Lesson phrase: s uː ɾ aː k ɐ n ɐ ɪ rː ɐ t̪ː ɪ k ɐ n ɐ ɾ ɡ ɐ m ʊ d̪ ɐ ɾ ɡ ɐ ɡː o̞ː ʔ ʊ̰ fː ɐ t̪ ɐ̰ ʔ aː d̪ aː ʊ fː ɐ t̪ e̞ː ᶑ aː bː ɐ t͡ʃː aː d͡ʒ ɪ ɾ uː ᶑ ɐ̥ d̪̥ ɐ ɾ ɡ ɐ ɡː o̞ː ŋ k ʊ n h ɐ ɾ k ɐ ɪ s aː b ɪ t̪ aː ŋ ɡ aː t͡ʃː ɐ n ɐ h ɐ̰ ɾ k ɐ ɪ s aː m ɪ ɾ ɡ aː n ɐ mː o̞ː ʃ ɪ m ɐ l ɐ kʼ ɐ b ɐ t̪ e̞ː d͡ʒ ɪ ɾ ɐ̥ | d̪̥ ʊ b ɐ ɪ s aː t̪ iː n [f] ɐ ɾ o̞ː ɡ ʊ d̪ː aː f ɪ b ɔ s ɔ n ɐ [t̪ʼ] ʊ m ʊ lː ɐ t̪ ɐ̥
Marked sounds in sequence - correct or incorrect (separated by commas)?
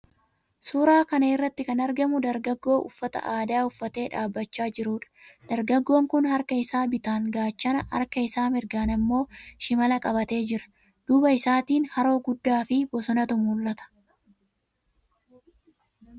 incorrect, incorrect